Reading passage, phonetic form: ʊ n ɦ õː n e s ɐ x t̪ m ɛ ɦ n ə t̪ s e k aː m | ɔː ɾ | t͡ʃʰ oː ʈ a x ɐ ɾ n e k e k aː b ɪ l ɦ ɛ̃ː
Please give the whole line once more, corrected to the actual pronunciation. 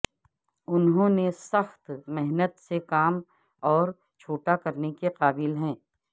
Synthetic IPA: ʊ n ɦ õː n e s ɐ x t̪ m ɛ ɦ n ə t̪ s e k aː m | ɔː ɾ | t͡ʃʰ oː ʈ a k ɐ ɾ n e k e q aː b ɪ l ɦ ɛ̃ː